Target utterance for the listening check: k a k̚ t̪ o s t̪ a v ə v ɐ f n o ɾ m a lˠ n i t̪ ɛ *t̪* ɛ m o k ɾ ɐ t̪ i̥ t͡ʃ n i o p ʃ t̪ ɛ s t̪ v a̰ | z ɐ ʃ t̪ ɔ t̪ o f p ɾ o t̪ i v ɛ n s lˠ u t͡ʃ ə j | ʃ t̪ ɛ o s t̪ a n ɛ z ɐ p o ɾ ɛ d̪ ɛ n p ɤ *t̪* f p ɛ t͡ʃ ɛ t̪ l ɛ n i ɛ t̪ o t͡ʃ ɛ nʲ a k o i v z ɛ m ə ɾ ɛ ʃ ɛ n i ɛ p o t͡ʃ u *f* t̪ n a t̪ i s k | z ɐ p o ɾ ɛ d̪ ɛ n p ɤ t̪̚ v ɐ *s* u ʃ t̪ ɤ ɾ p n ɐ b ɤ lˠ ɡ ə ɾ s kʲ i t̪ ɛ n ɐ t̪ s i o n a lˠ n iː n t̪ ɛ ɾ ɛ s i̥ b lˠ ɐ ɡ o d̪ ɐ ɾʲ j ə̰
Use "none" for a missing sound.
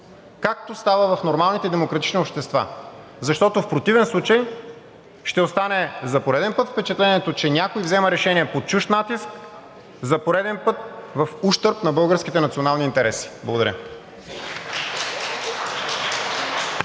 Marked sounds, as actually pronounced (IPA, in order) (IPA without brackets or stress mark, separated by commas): d̪, t̪, ʃ, f